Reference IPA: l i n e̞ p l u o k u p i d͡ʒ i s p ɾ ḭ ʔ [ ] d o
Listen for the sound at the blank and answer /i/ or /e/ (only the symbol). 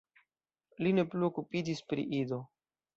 i